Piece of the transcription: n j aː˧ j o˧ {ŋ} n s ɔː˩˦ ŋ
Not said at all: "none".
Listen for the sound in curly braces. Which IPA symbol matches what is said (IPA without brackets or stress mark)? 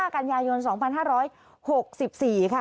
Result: none